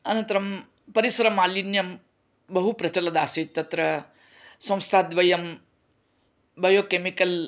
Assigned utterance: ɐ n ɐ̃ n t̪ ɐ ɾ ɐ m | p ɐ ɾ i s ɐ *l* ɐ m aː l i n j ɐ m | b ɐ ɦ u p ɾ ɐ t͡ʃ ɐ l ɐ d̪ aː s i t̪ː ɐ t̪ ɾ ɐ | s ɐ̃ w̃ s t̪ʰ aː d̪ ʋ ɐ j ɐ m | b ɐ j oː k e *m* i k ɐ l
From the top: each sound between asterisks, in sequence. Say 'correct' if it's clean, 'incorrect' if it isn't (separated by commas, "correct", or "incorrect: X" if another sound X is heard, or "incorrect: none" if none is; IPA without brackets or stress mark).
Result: incorrect: ɾ, correct